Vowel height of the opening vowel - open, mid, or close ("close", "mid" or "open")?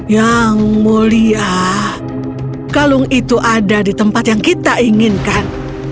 open